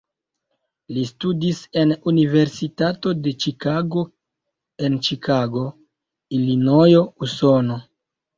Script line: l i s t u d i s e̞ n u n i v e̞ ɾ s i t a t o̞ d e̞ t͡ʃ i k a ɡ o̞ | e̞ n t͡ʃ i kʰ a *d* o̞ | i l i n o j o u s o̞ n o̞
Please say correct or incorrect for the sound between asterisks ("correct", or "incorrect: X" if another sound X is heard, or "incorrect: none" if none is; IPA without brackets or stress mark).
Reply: incorrect: ɡ